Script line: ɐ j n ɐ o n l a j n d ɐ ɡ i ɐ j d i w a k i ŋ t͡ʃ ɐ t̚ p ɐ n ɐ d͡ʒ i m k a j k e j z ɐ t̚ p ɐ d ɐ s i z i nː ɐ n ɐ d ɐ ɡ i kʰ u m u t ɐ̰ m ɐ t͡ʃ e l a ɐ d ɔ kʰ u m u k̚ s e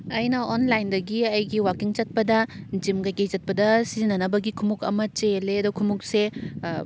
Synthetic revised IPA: ɐ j n ɐ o n l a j n d ɐ ɡ i ɐ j ɡ i w a k i ŋ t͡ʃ ɐ t̚ p ɐ d ɐ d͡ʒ i m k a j k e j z ɐ t̚ p ɐ d ɐ s i z i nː ɐ n ɐ b ɐ ɡ i kʰ u m u k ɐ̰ m ɐ t͡ʃ e l e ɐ d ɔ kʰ u m u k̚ s e